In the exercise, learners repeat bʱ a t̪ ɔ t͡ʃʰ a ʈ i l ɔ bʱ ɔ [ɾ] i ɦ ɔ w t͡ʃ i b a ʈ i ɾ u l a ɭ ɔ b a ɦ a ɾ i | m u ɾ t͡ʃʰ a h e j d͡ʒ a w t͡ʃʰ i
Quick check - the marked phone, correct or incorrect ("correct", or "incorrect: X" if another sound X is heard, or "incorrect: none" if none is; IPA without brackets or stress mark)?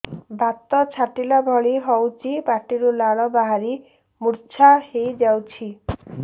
incorrect: ɭ